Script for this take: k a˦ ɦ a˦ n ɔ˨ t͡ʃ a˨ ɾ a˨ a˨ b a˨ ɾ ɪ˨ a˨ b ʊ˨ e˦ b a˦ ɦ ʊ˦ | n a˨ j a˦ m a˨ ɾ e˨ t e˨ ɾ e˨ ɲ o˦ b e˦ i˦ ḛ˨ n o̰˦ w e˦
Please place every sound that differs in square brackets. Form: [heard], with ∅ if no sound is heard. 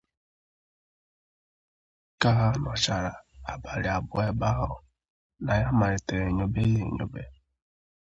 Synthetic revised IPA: k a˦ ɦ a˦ n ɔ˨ t͡ʃ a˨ ɾ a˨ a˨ b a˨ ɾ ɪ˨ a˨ b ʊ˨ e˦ b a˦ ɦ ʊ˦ | n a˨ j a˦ m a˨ ɾ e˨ t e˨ ɾ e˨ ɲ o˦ b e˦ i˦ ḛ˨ [ɲ] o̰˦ [b] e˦